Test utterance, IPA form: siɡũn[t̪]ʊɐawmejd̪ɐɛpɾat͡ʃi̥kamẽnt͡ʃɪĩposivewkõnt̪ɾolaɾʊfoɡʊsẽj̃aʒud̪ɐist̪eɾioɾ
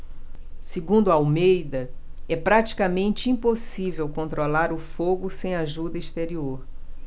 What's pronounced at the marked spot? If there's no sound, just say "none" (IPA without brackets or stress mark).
d̪